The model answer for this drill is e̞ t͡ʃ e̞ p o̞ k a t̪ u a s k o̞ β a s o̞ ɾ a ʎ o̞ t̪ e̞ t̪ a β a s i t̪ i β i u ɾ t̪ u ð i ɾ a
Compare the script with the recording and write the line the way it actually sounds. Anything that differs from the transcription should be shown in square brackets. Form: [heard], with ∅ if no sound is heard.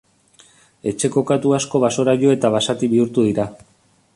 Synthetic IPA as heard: e̞ t͡ʃ e̞ [k] o̞ k a t̪ u a s k o̞ β a s o̞ ɾ a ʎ o̞ [∅] e̞ t̪ a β a s [a] t̪ i β i u ɾ t̪ u ð i ɾ a